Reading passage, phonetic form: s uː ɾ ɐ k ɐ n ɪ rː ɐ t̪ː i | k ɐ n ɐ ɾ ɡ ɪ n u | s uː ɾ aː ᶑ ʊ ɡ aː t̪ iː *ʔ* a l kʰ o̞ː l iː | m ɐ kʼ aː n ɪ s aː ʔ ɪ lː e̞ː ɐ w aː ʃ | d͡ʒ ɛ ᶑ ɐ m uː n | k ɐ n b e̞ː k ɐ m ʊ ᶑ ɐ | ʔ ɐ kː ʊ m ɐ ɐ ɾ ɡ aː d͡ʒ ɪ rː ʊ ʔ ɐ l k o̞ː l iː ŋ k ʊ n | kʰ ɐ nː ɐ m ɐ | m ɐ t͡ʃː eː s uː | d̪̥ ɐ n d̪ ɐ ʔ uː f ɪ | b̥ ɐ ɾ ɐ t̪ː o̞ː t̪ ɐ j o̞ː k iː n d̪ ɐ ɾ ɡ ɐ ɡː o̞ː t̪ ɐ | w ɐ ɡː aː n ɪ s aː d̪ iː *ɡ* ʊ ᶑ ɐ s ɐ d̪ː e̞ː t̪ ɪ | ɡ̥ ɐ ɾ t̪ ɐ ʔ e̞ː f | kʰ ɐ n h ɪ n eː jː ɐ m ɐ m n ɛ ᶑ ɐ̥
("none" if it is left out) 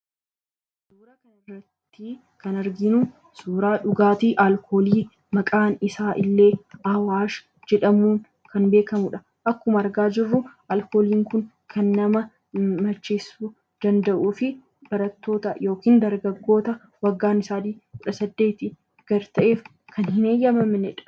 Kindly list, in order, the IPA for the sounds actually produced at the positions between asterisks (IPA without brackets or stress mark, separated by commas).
ʔ, k